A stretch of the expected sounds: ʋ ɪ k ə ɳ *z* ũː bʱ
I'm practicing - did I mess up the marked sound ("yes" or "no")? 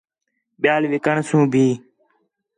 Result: yes